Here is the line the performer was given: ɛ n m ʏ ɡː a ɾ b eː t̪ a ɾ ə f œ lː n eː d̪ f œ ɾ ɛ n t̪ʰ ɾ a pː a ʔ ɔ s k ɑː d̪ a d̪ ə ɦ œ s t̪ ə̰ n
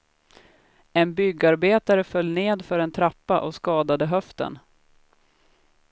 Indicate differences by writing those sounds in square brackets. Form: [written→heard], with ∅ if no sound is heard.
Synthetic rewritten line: ɛ n [m→b] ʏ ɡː a ɾ b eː t̪ a ɾ ə f œ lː n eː d̪ f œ ɾ ɛ n t̪ʰ ɾ a pː a ʔ ɔ s k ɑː d̪ a d̪ ə ɦ œ [s→f] t̪ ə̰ n